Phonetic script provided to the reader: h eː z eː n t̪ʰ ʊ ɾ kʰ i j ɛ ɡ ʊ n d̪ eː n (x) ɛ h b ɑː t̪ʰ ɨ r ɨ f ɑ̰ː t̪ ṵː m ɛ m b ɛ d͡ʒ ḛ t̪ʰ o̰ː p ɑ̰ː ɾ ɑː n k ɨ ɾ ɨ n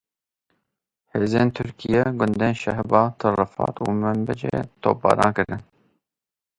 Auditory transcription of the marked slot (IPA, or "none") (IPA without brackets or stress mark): ʃ